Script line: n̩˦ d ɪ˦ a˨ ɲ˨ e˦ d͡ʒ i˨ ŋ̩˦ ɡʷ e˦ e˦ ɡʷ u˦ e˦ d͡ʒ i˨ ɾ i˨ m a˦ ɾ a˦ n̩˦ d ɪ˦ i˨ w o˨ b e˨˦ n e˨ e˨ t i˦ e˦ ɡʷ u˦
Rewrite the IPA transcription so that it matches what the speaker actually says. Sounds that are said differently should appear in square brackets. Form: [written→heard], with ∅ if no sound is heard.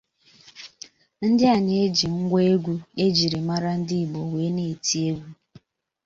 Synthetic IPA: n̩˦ d ɪ˦ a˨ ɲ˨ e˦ d͡ʒ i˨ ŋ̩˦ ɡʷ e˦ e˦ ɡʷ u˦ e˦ d͡ʒ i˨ ɾ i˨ m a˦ ɾ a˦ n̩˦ d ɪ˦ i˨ [w→b] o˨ [b→w] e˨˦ n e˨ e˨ t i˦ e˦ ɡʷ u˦